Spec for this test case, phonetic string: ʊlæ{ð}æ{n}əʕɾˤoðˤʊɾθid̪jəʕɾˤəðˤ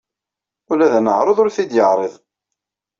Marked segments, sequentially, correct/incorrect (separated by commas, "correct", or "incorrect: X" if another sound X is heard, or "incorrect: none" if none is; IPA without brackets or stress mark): correct, correct